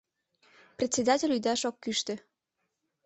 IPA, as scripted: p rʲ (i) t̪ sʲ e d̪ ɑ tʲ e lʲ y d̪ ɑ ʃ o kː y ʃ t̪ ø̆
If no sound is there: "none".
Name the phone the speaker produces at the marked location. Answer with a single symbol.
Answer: e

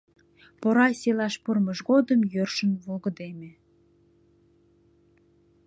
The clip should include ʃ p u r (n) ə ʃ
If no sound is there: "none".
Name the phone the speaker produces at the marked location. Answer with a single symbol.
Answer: m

